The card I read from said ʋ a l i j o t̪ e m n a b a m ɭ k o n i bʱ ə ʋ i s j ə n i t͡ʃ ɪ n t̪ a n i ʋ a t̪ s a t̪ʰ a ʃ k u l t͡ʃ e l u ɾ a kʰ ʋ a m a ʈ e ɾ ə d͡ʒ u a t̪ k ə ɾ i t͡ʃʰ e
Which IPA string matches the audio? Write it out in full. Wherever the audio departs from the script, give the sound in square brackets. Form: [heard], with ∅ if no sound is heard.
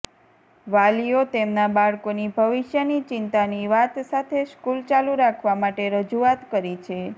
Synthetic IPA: ʋ a l i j o t̪ e m n a b a [∅] ɭ k o n i bʱ ə ʋ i [ʃ] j ə n i t͡ʃ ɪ n t̪ a n i ʋ a t̪ s a t̪ʰ [e] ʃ k u l t͡ʃ [a] l u ɾ a kʰ ʋ a m a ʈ e ɾ ə d͡ʒ u a t̪ k ə ɾ i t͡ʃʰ e